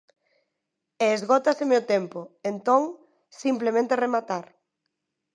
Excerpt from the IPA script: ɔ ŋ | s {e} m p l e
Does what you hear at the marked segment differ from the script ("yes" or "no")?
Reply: yes